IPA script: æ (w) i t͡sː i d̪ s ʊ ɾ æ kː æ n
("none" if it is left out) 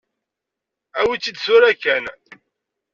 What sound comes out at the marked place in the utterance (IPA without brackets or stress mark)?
w